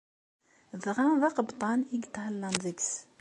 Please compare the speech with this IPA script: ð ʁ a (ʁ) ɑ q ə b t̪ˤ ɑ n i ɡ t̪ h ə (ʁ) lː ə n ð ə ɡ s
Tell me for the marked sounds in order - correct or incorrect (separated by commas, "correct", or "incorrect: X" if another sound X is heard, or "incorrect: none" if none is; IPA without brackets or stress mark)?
incorrect: ð, incorrect: none